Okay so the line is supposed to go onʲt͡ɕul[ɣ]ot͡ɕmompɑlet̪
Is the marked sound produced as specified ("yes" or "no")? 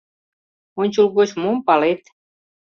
yes